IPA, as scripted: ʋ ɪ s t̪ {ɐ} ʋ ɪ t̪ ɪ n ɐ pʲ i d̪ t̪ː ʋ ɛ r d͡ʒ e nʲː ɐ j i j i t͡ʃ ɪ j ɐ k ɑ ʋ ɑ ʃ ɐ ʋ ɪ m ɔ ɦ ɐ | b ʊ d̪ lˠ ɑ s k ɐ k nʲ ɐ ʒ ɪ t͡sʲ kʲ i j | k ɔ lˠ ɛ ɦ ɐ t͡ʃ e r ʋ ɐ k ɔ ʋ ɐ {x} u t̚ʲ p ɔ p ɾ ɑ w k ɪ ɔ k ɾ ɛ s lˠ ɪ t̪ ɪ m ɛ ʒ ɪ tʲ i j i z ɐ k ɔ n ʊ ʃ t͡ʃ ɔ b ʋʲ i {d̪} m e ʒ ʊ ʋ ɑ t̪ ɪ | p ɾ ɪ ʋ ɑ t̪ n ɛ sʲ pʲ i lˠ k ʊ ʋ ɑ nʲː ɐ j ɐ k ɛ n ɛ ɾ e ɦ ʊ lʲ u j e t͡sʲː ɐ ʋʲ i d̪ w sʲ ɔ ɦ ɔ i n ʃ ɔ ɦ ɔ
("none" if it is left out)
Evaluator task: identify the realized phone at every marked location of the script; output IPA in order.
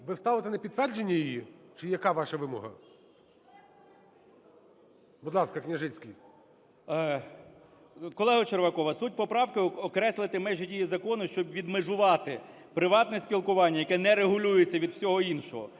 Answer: ɑ, s, d̪

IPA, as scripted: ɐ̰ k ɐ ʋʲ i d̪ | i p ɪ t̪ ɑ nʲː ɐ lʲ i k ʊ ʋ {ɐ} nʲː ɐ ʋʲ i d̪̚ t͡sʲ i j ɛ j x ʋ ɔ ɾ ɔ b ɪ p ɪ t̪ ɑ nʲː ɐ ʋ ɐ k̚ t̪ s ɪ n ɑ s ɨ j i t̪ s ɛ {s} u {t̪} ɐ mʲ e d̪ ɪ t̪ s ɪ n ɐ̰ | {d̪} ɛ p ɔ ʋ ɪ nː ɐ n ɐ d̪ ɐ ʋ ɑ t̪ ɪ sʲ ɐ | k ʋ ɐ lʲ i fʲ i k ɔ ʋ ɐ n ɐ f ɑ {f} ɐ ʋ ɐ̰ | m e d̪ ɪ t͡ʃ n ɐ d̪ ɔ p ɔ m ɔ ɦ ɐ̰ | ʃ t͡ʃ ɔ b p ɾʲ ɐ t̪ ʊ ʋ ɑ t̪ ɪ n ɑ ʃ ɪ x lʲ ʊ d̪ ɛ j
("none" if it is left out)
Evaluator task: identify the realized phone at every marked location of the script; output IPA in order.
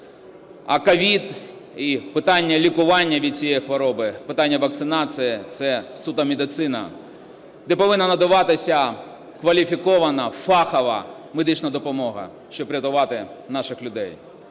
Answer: ɑ, s, t̪, d̪, x

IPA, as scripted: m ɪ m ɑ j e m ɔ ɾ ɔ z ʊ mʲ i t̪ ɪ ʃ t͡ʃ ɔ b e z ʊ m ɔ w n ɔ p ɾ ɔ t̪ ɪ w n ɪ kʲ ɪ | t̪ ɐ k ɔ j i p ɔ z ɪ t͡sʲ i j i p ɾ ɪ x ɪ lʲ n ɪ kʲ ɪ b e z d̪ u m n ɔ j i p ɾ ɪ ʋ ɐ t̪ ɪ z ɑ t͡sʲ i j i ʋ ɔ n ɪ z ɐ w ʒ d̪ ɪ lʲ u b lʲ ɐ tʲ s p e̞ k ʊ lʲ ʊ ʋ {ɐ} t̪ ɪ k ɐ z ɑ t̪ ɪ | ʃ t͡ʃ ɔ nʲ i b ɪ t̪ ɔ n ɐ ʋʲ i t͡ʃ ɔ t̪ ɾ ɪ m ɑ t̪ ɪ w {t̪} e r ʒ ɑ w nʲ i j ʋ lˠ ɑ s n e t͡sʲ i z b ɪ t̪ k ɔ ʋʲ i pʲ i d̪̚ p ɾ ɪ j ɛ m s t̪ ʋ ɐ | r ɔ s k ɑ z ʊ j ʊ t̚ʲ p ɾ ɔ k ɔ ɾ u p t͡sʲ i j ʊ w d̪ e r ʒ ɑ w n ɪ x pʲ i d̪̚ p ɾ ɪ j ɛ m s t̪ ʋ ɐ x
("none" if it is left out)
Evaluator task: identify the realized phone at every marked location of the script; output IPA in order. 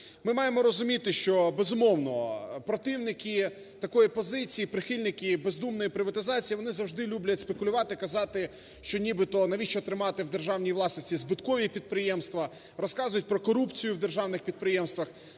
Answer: ɑ, d̪

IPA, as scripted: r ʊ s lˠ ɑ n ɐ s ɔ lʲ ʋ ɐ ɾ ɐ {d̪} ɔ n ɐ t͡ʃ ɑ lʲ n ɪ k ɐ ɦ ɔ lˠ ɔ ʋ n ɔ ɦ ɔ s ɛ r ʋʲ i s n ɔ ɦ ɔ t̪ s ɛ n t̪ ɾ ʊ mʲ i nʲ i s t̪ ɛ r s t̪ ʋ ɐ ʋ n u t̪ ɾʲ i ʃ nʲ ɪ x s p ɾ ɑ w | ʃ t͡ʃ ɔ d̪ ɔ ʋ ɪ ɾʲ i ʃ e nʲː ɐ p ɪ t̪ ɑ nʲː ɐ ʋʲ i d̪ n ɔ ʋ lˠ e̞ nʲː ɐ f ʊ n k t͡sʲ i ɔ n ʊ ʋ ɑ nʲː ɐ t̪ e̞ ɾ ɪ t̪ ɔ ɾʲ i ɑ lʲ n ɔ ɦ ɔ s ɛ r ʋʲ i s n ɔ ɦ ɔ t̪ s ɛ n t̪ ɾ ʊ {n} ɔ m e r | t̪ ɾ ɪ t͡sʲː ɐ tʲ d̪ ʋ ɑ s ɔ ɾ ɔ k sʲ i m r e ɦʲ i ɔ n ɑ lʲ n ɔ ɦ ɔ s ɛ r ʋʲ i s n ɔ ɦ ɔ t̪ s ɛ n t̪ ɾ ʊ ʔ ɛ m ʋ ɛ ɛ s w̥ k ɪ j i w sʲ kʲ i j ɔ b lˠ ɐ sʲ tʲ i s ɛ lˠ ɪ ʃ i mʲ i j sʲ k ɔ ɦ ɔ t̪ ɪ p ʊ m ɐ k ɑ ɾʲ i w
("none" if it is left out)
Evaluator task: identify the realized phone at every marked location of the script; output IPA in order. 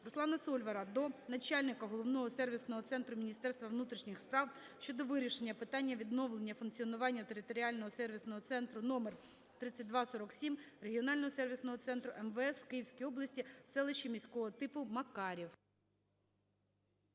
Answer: d̪, n

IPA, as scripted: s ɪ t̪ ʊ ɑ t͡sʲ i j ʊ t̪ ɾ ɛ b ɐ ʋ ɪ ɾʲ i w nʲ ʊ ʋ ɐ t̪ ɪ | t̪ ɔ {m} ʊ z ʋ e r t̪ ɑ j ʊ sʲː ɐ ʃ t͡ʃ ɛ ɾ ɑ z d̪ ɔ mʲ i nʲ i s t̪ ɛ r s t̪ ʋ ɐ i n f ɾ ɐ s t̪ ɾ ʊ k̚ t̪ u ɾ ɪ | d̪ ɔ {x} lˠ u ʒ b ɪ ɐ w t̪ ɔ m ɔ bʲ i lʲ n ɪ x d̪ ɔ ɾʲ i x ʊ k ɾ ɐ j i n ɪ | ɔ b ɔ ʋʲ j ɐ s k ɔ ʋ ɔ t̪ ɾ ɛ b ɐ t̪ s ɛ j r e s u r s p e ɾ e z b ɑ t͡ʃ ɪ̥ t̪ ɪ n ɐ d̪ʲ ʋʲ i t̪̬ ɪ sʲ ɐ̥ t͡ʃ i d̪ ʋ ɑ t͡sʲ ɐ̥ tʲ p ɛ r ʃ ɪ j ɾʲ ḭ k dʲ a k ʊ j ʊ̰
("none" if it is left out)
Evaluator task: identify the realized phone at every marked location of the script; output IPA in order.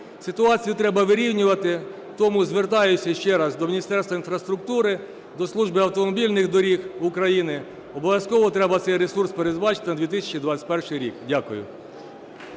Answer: m, s

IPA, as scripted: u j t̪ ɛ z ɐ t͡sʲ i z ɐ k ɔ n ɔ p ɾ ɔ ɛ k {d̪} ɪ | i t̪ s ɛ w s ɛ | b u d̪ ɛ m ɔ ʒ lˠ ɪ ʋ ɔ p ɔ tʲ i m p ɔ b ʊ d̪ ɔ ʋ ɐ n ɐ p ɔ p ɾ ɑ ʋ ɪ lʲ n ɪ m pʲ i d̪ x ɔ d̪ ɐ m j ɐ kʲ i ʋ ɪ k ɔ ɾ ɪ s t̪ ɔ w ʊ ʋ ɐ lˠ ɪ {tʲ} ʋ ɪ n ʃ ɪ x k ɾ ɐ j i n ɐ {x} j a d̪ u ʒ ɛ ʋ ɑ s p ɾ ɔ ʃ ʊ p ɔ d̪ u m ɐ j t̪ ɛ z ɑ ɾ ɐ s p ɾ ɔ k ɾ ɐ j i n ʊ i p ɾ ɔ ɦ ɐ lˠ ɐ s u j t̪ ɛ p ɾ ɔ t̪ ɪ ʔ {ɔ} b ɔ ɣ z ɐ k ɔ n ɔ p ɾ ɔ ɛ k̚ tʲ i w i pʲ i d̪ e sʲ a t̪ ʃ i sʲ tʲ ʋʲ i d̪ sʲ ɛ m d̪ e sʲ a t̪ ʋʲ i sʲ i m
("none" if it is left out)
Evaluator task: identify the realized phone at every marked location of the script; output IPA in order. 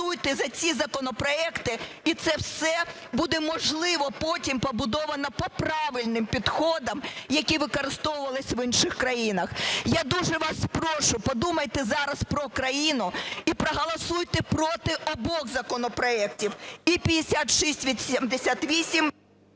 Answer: t̪, sʲ, x, ɔ

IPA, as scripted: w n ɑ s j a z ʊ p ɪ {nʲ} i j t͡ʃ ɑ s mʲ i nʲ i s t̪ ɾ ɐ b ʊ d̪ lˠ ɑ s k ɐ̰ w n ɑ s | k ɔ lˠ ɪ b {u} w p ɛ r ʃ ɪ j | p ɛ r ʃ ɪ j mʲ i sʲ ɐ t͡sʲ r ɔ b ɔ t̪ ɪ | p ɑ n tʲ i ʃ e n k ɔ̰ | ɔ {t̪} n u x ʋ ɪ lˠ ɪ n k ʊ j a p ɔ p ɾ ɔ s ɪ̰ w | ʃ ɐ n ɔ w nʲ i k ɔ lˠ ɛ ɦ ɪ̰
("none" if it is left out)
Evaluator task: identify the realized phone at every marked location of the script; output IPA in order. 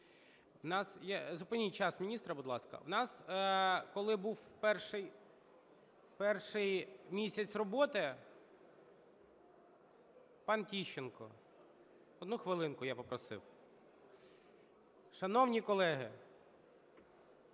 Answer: nʲ, u, d̪

